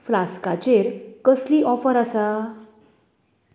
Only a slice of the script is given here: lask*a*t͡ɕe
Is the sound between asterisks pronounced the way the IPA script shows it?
yes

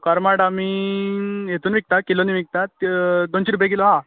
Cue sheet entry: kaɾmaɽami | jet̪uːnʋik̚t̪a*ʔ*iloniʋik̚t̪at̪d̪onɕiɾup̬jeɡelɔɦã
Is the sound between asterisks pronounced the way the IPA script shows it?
no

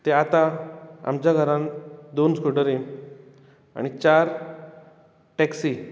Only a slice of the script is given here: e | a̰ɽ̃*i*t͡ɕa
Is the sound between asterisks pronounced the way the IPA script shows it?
yes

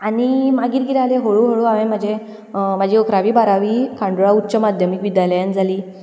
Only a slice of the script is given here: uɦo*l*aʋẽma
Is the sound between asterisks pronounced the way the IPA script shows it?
no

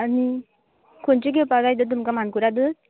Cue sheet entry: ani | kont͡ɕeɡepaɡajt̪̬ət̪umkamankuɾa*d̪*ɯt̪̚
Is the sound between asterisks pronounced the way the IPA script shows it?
yes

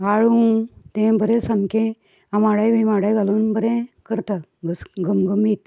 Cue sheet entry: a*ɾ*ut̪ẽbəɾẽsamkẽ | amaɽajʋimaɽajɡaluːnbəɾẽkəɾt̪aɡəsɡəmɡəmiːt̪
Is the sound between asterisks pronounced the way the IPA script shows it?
no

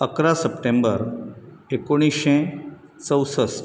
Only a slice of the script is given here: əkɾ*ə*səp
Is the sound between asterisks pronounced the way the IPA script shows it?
no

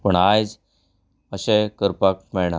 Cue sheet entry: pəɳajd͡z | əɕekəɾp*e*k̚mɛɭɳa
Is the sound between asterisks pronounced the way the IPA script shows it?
no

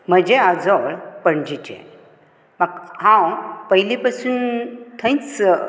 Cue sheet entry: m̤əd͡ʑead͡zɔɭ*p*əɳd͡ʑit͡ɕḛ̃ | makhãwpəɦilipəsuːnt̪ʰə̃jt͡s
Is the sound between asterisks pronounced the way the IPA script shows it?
yes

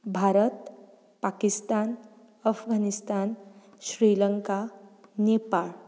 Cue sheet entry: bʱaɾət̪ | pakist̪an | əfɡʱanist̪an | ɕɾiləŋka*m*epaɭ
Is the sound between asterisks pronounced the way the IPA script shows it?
no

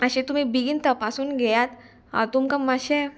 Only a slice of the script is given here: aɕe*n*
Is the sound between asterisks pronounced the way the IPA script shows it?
no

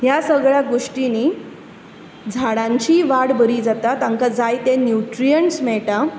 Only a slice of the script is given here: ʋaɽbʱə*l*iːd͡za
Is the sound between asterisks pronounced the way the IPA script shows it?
no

